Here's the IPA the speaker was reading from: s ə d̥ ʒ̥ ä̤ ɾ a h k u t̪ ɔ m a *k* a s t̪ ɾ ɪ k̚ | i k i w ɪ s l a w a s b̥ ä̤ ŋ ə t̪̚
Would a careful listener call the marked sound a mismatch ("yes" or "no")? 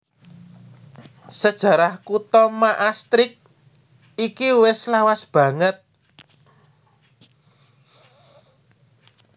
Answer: yes